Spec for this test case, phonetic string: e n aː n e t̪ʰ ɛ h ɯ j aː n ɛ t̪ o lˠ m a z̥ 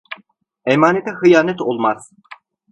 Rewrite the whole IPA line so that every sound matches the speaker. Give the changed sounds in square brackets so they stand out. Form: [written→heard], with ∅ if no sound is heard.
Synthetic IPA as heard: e [n→m] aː n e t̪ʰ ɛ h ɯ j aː n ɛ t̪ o lˠ m a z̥